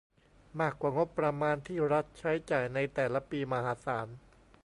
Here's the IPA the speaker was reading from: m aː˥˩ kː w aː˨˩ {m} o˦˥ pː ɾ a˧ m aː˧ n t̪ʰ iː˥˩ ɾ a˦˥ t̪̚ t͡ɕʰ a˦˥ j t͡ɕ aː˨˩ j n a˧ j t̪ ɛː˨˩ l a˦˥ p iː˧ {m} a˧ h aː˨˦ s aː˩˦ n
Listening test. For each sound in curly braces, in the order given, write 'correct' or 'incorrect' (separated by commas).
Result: incorrect, correct